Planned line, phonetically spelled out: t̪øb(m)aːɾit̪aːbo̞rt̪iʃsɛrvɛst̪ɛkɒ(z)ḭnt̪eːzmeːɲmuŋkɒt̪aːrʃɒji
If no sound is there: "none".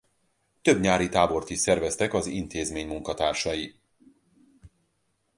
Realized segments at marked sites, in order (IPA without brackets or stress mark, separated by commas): ɲ, z